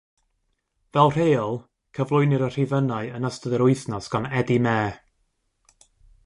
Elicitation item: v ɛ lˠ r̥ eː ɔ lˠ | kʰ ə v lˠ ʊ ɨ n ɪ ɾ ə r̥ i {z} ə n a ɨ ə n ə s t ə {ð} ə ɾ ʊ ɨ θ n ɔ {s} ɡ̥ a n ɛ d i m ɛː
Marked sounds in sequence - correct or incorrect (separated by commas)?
incorrect, correct, correct